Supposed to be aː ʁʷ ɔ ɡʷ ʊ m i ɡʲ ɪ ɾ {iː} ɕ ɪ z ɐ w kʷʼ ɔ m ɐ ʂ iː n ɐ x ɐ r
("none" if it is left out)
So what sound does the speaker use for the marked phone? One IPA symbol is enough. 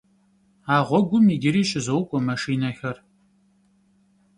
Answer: iː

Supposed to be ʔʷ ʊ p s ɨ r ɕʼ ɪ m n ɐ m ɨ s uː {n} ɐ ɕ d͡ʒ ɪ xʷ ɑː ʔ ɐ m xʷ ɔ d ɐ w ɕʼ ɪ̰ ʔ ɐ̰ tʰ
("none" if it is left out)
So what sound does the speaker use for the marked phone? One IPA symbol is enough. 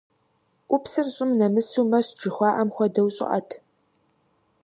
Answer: m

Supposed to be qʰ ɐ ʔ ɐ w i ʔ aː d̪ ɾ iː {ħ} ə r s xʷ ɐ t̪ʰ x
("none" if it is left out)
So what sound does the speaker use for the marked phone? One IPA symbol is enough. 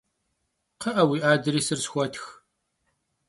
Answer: s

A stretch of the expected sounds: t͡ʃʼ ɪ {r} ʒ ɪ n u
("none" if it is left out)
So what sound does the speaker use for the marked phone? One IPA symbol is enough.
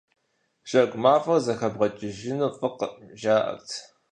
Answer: none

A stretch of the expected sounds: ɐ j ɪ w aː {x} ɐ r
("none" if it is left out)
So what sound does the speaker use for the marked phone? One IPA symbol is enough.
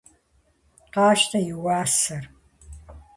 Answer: s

